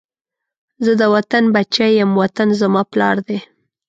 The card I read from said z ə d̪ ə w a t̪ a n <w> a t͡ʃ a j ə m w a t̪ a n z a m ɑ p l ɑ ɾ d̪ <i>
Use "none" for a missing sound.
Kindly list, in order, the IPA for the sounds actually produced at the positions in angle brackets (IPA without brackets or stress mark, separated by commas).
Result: b, e